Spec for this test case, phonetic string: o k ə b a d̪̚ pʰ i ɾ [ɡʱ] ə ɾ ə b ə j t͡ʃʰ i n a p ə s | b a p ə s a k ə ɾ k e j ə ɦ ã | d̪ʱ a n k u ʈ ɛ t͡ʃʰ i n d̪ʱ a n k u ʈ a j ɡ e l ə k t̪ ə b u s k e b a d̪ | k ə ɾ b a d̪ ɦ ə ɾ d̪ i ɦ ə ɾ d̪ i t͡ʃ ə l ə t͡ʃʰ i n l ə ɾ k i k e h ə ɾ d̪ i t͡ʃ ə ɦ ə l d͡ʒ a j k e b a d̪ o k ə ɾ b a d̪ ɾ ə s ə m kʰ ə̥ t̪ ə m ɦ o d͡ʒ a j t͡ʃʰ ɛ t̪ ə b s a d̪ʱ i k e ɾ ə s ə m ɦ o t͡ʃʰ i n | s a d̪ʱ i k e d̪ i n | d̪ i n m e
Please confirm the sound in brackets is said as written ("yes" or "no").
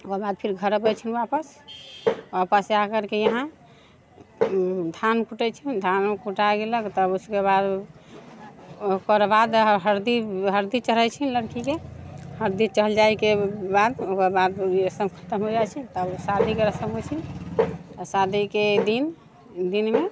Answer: yes